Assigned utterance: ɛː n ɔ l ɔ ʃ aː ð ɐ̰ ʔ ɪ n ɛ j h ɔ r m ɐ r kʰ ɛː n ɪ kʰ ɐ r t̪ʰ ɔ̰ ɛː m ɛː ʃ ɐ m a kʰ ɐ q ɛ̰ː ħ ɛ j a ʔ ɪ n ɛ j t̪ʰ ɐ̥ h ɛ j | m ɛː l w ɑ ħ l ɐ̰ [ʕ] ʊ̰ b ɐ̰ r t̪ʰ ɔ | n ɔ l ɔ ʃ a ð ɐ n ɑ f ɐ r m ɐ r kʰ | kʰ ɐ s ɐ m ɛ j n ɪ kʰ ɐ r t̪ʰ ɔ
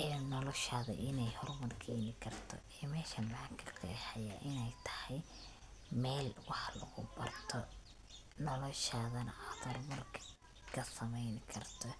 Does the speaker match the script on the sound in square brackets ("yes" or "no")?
no